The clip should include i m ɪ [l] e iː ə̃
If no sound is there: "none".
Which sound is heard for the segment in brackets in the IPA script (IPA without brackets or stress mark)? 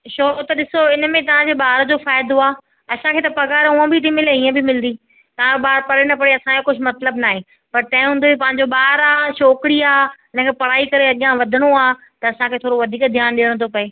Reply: l